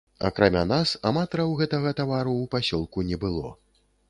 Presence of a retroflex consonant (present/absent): absent